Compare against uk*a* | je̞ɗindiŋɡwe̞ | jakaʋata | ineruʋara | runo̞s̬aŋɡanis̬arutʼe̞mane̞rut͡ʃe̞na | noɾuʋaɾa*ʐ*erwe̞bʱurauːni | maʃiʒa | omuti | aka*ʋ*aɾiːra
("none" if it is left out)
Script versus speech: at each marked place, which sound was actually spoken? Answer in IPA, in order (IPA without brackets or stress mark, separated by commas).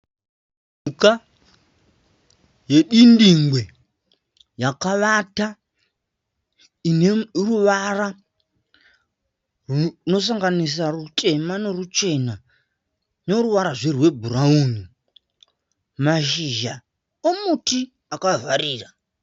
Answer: a, ʐ, v